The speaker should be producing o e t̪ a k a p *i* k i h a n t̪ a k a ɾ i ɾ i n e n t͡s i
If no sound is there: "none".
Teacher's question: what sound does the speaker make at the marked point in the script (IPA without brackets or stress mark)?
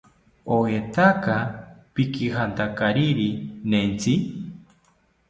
i